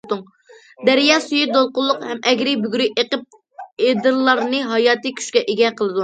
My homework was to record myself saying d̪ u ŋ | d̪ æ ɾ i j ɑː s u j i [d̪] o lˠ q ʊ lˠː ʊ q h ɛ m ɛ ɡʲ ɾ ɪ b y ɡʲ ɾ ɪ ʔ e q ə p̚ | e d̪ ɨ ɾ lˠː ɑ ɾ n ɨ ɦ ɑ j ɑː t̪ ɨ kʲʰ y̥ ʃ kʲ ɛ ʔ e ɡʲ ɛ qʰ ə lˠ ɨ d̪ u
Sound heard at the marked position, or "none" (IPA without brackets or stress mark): d̪